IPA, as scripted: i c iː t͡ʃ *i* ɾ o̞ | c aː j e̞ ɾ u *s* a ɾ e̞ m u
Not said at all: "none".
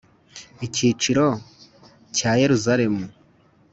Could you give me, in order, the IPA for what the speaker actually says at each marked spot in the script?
i, z

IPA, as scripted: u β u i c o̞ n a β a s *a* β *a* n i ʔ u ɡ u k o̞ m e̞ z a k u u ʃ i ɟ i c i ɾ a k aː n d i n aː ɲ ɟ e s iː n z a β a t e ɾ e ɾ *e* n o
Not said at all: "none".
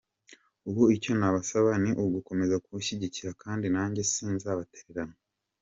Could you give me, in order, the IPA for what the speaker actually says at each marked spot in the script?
a, a, a

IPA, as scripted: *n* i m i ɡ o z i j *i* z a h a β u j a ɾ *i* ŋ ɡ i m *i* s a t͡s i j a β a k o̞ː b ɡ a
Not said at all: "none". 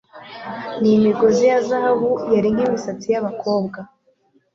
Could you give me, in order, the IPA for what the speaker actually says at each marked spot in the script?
n, a, i, i

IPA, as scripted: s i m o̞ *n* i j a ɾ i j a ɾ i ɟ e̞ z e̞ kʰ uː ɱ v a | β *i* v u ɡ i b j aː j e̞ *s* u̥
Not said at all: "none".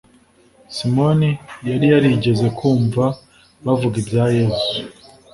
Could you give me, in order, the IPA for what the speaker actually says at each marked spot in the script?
n, a, z

